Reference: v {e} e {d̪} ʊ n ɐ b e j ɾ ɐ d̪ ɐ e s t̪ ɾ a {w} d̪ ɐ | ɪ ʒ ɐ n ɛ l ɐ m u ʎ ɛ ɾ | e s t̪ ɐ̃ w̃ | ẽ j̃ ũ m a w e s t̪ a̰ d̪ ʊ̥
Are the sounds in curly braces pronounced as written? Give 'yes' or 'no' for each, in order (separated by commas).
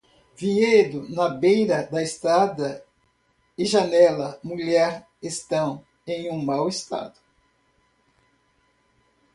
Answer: no, yes, no